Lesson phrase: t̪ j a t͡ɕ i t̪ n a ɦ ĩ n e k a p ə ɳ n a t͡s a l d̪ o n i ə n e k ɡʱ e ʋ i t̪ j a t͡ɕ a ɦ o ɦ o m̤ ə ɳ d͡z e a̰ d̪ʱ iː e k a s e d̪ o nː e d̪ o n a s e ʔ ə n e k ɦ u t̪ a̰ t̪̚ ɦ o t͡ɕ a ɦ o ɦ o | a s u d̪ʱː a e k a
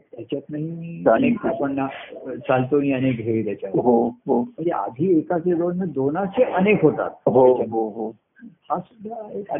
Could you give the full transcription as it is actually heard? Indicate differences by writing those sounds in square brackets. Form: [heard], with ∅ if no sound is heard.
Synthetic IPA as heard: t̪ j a t͡ɕ [a] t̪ n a ɦ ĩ n e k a p ə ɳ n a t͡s a l [t̪] o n i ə n e k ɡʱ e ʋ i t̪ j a t͡ɕ a ɦ o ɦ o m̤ ə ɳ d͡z e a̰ d̪ʱ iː e k a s e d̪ o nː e d̪ o n a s e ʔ ə n e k ɦ [o] t̪ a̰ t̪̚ ɦ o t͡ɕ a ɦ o ɦ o | a s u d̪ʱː a e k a